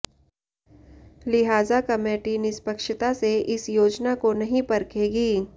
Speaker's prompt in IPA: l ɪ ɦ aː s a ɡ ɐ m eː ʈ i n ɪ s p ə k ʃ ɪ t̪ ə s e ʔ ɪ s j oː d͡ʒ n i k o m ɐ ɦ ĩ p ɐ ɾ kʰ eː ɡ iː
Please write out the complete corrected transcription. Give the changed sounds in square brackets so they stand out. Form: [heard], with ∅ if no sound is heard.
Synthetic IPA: l ɪ ɦ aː [z] a [k] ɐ m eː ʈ i n ɪ s p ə k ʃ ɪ t̪ [a] s e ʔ ɪ s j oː d͡ʒ n [a] k o [n] ɐ ɦ ĩ p ɐ ɾ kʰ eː ɡ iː